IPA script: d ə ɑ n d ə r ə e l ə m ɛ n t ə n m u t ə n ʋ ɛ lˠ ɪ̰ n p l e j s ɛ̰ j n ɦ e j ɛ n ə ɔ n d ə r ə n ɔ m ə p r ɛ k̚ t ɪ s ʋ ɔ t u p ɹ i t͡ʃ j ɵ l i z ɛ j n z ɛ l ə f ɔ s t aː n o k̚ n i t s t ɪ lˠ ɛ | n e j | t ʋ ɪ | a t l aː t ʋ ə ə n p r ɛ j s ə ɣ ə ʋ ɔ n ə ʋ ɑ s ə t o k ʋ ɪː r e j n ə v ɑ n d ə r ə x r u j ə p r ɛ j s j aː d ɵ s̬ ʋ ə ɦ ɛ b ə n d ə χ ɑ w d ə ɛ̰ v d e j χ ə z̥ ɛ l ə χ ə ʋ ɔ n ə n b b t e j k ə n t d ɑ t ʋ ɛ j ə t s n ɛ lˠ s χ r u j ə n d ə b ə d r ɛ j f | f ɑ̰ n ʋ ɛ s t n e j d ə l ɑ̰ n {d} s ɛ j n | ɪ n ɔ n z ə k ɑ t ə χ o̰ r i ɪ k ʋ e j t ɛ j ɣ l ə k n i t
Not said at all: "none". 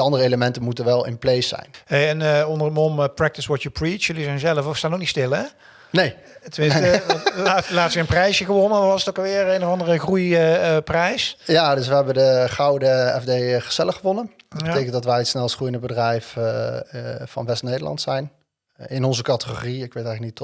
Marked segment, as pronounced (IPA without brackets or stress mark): t